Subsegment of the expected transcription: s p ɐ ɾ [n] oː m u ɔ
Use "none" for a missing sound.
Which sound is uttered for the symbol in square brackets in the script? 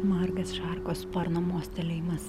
n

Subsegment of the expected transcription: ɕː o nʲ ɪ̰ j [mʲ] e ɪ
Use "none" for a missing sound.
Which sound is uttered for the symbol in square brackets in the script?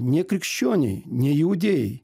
nʲ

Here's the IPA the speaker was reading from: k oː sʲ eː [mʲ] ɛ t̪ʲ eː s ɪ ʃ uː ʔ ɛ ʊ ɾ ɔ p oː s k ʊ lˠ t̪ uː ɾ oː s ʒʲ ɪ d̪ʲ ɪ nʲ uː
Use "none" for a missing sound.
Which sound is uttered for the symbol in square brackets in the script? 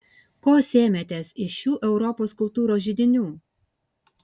mʲ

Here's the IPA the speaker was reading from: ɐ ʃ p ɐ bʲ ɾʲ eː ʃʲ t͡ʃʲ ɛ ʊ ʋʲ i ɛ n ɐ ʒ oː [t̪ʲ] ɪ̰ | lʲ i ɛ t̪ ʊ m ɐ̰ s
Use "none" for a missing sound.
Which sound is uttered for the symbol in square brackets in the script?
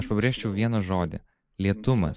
d̪ʲ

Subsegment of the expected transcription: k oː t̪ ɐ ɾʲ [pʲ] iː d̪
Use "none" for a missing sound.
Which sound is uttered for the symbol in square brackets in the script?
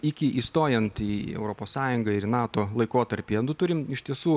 pʲ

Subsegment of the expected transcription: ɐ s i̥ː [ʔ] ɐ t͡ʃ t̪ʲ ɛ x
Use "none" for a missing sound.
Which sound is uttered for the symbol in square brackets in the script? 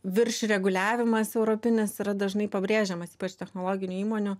p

